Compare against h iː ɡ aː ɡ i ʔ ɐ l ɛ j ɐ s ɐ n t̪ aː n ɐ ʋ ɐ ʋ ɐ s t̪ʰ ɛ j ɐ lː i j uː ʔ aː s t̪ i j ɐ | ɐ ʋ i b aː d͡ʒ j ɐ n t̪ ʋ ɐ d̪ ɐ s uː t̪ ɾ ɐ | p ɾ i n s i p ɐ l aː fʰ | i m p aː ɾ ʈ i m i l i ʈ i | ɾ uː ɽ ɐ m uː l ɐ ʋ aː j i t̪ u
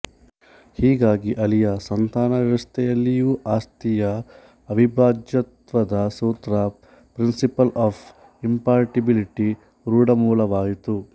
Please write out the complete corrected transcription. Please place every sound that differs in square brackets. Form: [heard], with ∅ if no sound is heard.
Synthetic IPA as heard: h iː ɡ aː ɡ i ʔ ɐ l [i] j ɐ s ɐ n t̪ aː n ɐ ʋ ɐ ʋ ɐ s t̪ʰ ɛ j ɐ lː i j uː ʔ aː s t̪ i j ɐ | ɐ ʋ i b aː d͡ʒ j ɐ [∅] t̪ ʋ ɐ d̪ ɐ s uː t̪ ɾ ɐ | p ɾ i n s i p ɐ l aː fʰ | i m p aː ɾ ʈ i [b] i l i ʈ i | ɾ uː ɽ ɐ m uː l ɐ ʋ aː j i t̪ u